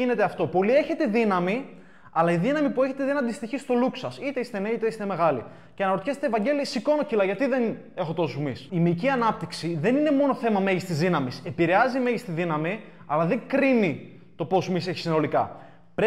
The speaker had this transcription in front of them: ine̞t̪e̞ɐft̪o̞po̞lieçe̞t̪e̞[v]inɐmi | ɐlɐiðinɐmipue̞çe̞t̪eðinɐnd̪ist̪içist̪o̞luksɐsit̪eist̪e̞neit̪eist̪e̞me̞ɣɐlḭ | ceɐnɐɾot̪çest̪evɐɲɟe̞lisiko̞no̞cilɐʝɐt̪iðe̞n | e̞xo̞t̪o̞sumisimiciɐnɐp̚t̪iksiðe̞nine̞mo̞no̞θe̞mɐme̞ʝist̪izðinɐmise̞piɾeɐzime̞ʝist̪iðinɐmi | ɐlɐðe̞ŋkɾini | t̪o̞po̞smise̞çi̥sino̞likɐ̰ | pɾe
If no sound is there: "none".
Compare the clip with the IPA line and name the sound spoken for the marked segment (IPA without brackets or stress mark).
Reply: ð